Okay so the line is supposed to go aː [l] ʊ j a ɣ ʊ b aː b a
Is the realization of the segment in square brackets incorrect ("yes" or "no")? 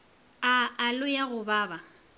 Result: no